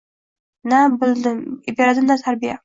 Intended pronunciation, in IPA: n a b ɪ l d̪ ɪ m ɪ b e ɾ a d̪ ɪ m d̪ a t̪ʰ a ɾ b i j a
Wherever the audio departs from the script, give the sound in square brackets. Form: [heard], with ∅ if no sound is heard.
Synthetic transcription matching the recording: n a b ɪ l d̪ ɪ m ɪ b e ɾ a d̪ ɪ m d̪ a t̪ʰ a ɾ b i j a